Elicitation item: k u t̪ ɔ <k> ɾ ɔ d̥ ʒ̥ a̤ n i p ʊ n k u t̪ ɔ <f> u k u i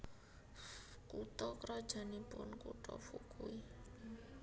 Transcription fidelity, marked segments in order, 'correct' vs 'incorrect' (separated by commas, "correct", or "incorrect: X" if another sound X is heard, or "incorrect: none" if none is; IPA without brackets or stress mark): correct, correct